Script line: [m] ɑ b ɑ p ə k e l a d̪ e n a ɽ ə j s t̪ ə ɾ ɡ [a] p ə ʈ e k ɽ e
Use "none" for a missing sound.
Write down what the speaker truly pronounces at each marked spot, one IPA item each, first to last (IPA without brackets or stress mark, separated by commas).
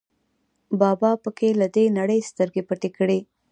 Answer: b, e